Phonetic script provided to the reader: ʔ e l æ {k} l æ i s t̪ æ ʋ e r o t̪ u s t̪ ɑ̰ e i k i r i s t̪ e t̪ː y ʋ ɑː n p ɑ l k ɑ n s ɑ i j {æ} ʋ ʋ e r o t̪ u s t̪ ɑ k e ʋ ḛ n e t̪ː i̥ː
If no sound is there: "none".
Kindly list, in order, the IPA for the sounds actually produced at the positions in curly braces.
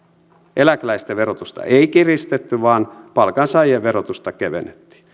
k, e

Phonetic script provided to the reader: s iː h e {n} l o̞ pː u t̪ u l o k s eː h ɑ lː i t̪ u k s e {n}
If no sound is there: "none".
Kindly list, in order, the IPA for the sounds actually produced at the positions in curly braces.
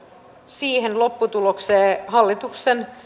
n, n

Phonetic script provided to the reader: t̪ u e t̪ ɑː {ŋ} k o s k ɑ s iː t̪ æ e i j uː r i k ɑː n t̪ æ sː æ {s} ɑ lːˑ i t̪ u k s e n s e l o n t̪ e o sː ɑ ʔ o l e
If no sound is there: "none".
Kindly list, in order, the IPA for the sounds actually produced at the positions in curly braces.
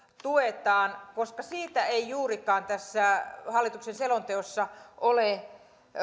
n, h

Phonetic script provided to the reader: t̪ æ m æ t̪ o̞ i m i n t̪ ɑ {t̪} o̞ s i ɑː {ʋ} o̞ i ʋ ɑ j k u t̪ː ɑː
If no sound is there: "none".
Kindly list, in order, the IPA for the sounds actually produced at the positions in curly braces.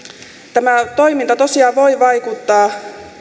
t̪, ʋ

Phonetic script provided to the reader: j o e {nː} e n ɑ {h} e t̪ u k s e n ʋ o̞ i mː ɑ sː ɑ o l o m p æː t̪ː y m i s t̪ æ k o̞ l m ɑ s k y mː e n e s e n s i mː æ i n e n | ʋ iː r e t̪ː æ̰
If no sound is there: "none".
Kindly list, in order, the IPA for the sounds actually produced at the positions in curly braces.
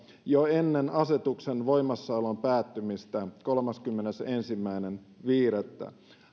nː, s

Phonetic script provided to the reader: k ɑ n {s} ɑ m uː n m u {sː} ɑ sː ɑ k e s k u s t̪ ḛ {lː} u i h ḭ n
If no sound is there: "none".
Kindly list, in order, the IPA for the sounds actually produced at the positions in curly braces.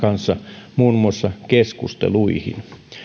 sː, none, l

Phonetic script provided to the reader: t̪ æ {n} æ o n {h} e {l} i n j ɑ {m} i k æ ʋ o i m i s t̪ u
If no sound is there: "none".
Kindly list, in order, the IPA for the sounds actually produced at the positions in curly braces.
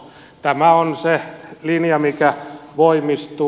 m, s, l, m

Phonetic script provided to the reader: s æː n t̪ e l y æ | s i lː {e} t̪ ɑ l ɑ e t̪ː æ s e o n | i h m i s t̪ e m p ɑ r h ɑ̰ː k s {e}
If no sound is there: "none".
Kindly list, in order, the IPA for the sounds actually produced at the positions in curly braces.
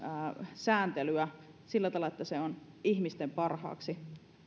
æ, i

